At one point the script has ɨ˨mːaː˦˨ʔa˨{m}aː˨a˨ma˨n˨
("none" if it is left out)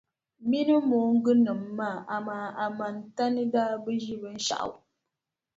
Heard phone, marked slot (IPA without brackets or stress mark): m